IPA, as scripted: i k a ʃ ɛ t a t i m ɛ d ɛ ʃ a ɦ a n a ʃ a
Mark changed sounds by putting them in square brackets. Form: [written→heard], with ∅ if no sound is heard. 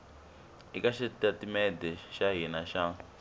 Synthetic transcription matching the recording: i k a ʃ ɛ t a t i m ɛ d ɛ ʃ a ɦ [a→i] n a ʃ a